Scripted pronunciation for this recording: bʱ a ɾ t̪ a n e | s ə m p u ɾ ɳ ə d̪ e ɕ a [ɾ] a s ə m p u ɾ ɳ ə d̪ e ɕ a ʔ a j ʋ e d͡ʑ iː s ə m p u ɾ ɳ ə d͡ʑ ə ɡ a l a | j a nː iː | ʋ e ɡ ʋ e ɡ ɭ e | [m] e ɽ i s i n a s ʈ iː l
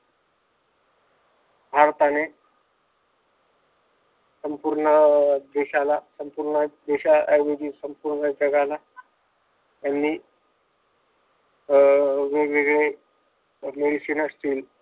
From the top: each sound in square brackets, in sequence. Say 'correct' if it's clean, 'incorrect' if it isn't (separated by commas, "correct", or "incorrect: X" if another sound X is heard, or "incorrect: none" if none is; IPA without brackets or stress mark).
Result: incorrect: l, correct